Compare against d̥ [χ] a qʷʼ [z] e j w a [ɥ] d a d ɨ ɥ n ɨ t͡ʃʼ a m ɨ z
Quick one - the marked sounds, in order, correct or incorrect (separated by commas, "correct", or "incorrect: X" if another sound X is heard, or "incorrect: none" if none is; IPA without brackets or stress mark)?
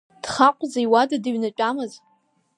correct, correct, incorrect: none